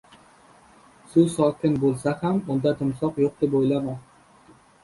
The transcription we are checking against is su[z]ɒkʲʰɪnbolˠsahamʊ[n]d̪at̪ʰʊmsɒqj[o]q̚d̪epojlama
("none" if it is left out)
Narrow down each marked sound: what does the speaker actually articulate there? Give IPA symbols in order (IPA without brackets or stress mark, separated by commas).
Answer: s, n, o